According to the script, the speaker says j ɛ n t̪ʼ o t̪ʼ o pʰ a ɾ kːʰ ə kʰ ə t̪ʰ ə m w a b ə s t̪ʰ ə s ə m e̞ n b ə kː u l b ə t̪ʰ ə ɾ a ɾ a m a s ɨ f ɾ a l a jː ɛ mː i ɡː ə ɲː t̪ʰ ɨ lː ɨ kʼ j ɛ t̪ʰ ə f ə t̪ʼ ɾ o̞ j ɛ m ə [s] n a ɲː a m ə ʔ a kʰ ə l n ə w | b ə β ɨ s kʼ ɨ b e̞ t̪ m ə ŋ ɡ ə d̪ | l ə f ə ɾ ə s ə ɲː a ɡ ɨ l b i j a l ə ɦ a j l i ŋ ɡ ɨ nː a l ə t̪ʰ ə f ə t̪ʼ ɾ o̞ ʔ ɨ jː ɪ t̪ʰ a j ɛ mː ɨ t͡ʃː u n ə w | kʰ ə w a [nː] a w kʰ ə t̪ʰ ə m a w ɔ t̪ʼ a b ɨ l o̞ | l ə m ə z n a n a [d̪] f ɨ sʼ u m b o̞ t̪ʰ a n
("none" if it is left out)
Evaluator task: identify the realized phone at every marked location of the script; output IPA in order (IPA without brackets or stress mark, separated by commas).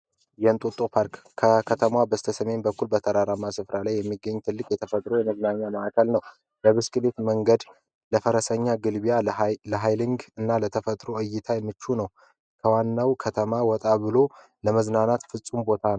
z, nː, t̪